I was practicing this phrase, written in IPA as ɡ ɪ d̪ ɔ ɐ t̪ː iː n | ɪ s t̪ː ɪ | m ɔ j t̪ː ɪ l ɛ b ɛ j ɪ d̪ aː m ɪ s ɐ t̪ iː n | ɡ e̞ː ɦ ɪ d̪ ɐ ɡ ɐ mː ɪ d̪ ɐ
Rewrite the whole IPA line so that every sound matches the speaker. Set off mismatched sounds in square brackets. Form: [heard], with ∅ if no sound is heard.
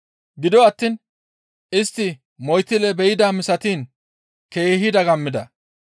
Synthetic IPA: ɡ ɪ d̪ ɔ ɐ t̪ː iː n | ɪ s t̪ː ɪ | m ɔ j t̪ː ɪ l ɛ b ɛ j ɪ d̪ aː m ɪ s ɐ t̪ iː n | [k] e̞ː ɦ ɪ d̪ ɐ ɡ ɐ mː ɪ d̪ ɐ